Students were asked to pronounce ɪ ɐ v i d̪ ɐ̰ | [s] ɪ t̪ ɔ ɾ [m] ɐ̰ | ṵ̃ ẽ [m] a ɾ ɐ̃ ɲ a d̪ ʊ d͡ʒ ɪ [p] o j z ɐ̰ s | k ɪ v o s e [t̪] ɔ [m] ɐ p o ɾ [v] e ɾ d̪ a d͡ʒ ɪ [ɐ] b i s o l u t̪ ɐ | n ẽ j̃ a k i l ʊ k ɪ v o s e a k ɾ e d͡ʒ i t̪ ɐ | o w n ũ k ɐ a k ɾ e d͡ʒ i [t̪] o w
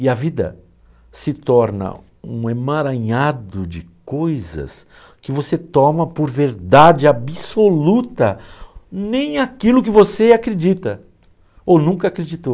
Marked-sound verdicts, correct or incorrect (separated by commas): correct, incorrect, correct, incorrect, correct, correct, correct, incorrect, correct